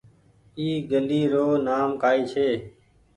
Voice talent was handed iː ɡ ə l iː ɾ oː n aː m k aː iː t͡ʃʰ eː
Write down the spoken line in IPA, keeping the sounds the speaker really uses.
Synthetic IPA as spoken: iː ɡ ə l iː ɾ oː n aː m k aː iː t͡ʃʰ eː